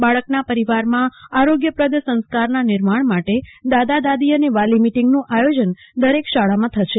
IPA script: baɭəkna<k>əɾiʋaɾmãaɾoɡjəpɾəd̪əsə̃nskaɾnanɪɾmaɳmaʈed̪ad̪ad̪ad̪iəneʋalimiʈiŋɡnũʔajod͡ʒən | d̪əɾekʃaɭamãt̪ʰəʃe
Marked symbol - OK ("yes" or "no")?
no